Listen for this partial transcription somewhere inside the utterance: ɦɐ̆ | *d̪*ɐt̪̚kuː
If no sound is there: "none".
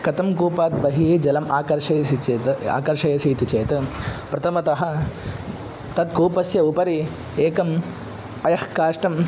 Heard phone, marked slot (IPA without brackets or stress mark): t̪